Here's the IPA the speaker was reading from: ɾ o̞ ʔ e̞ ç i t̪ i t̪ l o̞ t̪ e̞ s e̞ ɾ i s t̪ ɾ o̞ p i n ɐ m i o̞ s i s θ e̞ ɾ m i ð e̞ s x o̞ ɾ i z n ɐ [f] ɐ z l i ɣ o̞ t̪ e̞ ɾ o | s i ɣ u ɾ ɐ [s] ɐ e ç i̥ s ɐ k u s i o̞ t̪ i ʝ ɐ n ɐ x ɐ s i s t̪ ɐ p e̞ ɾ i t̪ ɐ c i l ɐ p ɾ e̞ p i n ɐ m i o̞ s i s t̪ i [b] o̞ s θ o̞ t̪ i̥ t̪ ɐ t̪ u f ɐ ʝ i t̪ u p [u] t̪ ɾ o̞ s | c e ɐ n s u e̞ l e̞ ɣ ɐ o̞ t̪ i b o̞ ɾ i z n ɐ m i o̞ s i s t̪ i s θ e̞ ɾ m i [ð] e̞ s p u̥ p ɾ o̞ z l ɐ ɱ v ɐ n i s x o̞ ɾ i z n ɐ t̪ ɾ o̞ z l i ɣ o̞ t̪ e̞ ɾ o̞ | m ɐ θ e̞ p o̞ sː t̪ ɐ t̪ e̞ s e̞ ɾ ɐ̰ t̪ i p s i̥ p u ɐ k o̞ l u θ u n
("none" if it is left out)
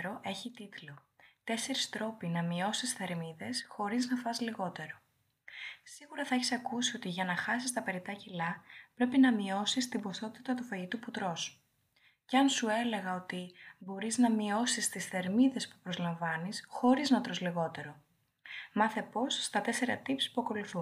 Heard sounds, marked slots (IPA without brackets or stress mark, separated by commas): f, θ, b, u, ð